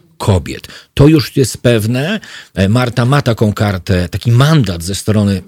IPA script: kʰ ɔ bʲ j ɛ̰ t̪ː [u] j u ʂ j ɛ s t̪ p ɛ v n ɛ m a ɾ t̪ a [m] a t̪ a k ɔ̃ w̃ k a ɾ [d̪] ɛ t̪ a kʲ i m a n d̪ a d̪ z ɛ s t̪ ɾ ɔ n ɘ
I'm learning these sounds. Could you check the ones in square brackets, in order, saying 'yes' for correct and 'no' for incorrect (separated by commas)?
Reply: no, yes, no